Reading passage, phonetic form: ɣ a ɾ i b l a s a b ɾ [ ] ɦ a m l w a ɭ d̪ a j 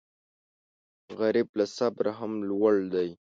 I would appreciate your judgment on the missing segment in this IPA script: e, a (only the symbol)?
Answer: a